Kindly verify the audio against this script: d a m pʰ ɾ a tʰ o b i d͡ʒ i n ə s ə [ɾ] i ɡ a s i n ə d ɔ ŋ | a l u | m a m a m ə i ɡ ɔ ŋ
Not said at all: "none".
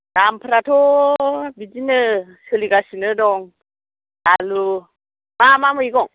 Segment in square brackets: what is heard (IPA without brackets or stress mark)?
l